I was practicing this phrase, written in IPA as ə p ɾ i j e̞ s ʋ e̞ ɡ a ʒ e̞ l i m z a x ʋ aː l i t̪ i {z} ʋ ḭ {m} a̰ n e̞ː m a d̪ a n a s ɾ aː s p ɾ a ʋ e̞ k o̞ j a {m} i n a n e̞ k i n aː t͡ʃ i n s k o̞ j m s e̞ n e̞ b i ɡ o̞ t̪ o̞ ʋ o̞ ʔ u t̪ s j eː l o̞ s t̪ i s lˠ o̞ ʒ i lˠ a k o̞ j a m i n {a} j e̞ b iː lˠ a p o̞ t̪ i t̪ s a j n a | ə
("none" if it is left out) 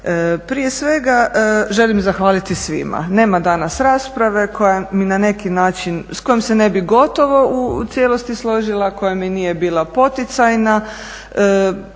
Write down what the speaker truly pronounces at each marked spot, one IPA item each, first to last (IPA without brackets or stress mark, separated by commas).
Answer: s, m, m, i